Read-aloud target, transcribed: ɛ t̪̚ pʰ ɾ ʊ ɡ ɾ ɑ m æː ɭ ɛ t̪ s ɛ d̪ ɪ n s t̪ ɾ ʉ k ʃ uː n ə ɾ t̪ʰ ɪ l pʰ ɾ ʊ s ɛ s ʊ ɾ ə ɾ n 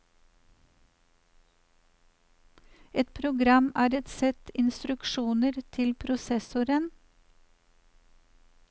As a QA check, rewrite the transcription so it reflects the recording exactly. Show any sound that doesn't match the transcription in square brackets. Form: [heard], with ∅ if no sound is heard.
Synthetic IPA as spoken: ɛ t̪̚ pʰ ɾ ʊ ɡ ɾ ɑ m æː [ɾ] ɛ t̪ s ɛ [t̪] ɪ n s t̪ ɾ ʉ k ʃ uː n ə ɾ t̪ʰ ɪ l pʰ ɾ ʊ s ɛ s ʊ ɾ ə [∅] n